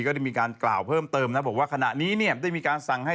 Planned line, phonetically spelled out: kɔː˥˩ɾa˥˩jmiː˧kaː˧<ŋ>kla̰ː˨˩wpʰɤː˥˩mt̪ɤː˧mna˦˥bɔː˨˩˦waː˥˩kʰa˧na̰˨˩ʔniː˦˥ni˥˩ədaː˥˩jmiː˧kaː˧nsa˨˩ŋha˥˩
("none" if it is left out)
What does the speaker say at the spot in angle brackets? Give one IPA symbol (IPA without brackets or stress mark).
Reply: n